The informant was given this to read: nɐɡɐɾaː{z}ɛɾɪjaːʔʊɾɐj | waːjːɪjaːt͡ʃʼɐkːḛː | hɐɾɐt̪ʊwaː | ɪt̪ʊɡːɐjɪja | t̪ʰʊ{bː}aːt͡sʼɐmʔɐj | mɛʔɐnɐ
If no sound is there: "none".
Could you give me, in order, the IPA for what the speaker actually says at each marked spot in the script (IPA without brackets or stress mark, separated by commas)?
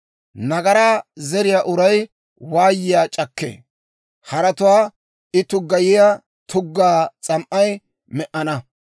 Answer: z, ɡː